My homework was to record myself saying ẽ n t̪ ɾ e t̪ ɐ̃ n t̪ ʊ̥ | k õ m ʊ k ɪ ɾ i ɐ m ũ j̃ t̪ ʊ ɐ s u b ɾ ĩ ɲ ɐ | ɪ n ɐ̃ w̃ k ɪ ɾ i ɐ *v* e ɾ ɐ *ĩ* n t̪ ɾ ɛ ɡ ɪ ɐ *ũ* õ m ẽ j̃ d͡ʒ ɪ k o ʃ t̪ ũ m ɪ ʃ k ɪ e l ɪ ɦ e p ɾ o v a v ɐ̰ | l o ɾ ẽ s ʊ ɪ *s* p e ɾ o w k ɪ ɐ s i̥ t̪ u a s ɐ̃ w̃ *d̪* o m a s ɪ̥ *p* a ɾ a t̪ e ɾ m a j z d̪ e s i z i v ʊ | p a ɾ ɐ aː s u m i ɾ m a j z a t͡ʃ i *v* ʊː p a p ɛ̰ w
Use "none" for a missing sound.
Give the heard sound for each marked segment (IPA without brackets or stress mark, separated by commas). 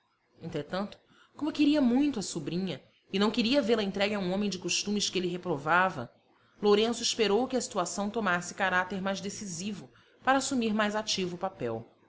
v, ẽ, ũ, ʃ, t̪, k, v